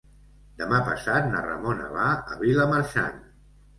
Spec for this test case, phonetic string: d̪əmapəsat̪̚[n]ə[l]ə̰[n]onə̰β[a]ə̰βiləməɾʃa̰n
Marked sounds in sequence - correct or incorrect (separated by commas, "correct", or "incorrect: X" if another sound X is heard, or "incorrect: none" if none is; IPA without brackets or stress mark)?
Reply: correct, incorrect: r, incorrect: m, correct